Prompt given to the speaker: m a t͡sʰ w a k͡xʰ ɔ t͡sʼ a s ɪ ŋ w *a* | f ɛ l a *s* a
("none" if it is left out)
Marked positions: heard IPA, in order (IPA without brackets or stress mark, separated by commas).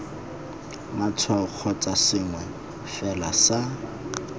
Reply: ɛ, s